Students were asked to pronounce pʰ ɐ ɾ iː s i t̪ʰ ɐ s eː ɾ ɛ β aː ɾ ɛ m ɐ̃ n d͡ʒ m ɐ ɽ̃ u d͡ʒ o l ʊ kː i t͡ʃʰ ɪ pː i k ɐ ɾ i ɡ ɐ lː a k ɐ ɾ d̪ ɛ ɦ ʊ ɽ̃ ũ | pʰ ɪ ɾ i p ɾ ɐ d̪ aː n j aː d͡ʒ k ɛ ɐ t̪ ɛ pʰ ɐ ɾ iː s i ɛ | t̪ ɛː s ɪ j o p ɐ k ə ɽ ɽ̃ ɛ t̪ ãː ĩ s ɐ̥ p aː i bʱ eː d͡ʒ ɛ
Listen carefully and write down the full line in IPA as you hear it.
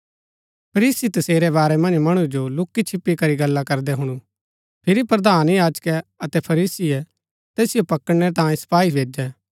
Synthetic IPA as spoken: pʰ ɐ ɾ iː s i t̪ ɐ s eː ɾ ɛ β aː ɾ ɛ m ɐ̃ n d͡ʒ m ɐ ɽ̃ u d͡ʒ o l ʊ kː i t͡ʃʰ ɪ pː i k ɐ ɾ i ɡ ɐ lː a k ɐ ɾ d̪ ɛ ɦ ʊ ɽ̃ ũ | pʰ ɪ ɾ i p ɾ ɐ d̪ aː n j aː d͡ʒ k ɛ ɐ t̪ ɛ pʰ ɐ ɾ iː s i ɛ | t̪ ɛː s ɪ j o p ɐ k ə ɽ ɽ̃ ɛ t̪ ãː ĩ s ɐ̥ p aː i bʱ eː d͡ʒ ɛ

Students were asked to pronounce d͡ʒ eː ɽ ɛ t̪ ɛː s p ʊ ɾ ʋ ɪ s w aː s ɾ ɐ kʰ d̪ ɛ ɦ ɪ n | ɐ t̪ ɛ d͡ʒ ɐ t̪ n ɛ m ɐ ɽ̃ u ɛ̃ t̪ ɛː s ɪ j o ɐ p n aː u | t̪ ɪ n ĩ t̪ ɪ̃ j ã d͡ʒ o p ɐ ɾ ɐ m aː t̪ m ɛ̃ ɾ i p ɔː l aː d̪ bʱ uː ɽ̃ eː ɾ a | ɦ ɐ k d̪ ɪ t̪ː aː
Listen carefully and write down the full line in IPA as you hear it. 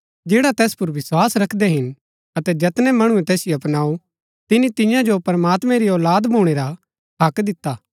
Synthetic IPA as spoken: d͡ʒ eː ɽ a t̪ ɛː s p ʊ ɾ ʋ ɪ s w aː s ɾ ɐ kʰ d̪ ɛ ɦ ɪ n | ɐ t̪ ɛ d͡ʒ ɐ t̪ n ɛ m ɐ ɽ̃ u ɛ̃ t̪ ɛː s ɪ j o ɐ p n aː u | t̪ ɪ n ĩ t̪ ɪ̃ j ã d͡ʒ o p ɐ ɾ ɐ m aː t̪ m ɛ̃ ɾ i ɔː l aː d̪ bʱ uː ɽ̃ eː ɾ a | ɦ ɐ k d̪ ɪ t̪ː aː

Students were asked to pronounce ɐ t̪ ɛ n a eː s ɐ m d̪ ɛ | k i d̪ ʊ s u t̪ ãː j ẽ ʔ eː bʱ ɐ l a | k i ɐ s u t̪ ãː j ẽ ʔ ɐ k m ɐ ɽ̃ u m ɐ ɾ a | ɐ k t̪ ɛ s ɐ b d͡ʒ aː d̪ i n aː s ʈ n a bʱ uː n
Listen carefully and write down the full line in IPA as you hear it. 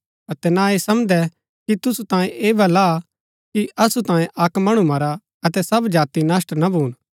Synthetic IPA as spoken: ɐ t̪ ɛ n a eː s ɐ m d̪ ɛ | k i t̪ ʊ s u t̪ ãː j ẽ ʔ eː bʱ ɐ l a | k i ɐ s u t̪ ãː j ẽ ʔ ɐ k m ɐ ɽ̃ u m ɐ ɾ a | ɐ t̪ ɛ s ɐ b d͡ʒ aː t̪ i n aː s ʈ n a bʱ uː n

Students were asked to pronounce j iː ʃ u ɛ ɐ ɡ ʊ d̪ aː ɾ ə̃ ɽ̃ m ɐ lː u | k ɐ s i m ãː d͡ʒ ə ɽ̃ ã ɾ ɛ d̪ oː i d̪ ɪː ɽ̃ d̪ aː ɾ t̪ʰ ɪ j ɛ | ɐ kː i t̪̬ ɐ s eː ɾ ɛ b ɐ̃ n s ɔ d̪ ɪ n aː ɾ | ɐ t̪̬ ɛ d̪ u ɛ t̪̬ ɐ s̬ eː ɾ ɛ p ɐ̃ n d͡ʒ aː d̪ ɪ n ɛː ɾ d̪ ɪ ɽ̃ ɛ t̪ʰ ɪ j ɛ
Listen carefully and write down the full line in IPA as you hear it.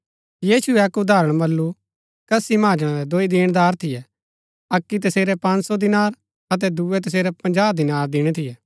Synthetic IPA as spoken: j iː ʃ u ɛ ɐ k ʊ d̪ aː ɾ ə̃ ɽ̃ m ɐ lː u | k ɐ s i m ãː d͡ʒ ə ɽ̃ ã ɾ ɛ d̪ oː i d̪ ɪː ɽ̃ d̪ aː ɾ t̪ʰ ɪ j ɛ | ɐ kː i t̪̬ ɐ s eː ɾ ɛ p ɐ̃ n s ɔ d̪ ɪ n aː ɾ | ɐ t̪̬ ɛ d̪ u ɛ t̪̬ ɐ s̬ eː ɾ ɛ p ɐ̃ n d͡ʒ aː d̪ ɪ n aː ɾ d̪ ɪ ɽ̃ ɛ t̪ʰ ɪ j ɛ

